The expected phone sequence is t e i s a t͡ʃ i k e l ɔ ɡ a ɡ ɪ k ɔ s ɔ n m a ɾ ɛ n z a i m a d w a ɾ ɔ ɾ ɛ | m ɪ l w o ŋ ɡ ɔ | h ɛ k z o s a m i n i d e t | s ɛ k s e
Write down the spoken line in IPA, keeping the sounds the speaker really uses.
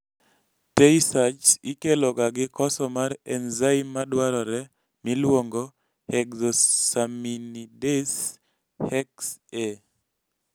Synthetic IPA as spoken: t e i s a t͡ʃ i k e l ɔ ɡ a ɡ ɪ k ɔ s ɔ m a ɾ ɛ n z a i m a d w a ɾ ɔ ɾ ɛ | m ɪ l w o ŋ ɡ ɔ | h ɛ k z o s a m i n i d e s | h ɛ k s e

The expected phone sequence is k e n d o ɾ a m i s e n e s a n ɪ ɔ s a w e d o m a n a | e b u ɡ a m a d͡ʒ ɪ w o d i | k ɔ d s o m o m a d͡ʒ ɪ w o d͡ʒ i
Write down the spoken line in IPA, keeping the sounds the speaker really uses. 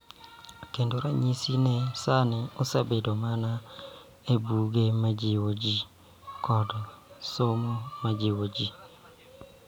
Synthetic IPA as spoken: k e n d o ɾ a ɲ i s i n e s a n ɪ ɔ s a b e d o m a n a | e b u ɡ e m a d͡ʒ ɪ w o d͡ʒ i | k ɔ d s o m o m a d͡ʒ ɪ w o d͡ʒ i

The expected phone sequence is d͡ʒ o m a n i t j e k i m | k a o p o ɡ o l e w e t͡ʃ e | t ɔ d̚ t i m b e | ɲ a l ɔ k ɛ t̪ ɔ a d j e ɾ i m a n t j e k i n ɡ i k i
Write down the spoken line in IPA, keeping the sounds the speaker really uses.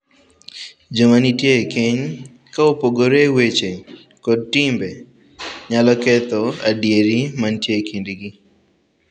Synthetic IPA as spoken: d͡ʒ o m a n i t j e k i ɲ | k a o p o ɡ o ɾ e w e t͡ʃ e | k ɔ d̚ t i m b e | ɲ a l ɔ k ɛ t̪ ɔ a d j e ɾ i m a n t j e k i n d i ɡ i

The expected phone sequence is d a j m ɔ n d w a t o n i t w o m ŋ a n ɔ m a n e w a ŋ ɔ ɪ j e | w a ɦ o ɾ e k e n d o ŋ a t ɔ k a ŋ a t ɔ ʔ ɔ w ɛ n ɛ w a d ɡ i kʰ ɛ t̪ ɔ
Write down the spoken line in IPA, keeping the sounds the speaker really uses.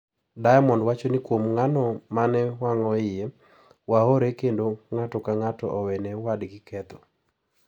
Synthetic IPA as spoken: d a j m ɔ n d w a t͡ʃ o n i k w o m ŋ a n ɔ m a n ɛ w a ŋ ɔ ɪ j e | w a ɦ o ɾ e k e n d o ŋ a t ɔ k a ŋ a t ɔ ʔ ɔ w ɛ n ɛ w a d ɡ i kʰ ɛ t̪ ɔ

